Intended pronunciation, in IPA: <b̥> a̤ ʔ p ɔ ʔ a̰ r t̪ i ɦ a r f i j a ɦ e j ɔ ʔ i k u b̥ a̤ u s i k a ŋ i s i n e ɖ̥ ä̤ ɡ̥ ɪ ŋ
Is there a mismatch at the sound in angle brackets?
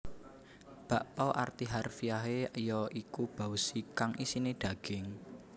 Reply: no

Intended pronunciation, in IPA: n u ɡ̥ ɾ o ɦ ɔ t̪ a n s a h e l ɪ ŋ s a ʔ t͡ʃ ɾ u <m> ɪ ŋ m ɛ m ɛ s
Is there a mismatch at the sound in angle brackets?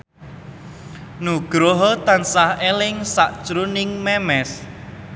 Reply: yes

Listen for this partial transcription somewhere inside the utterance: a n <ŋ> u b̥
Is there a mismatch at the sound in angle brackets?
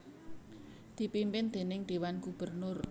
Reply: yes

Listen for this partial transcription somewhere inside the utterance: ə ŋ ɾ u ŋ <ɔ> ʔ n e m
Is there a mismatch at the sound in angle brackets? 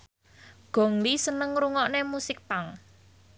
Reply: no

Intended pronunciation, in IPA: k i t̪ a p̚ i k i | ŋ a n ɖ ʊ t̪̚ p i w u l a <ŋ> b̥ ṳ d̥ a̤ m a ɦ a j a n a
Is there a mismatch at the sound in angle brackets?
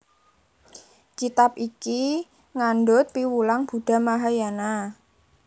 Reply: no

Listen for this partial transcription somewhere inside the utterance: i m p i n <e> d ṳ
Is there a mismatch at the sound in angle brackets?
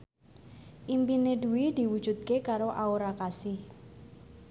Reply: no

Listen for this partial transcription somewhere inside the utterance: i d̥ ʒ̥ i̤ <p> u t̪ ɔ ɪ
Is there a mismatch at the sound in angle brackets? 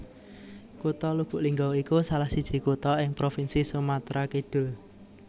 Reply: yes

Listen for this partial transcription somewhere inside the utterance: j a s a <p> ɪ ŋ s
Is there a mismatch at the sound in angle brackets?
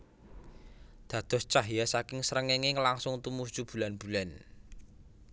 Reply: yes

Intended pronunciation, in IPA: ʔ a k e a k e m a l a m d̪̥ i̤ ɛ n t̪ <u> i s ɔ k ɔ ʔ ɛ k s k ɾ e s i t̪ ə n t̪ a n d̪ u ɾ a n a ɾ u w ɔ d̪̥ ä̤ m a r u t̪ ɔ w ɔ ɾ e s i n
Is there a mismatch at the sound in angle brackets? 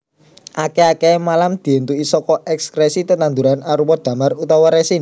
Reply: no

